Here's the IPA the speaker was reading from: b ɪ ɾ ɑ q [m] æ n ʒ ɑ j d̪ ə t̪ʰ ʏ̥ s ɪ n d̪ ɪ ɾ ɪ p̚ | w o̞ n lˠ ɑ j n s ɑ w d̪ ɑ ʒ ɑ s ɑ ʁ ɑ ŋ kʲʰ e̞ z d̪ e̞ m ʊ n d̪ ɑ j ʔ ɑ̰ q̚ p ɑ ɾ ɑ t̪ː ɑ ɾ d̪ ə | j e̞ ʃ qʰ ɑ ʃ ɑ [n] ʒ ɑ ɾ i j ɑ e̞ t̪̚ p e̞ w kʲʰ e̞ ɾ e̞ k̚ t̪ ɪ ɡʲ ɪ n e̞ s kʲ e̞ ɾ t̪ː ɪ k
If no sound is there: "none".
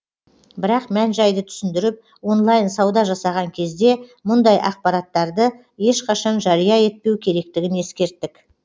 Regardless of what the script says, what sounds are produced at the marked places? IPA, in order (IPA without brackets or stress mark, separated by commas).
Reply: m, n